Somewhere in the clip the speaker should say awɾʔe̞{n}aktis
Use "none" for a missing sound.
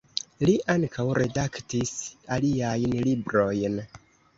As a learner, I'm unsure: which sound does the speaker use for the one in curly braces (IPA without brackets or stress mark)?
d